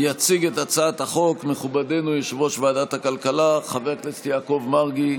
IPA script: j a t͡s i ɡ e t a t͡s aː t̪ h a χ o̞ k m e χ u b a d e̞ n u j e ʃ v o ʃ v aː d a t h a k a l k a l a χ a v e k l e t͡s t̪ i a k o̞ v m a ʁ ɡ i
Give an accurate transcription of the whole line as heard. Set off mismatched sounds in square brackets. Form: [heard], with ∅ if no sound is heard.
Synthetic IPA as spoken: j a t͡s i ɡ e t a t͡s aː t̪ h a χ o̞ k m e χ u b a d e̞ n u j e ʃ v o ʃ v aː d a t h a k a l k a l a χ a v e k l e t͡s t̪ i a k o̞ v m a ʁ ɡ i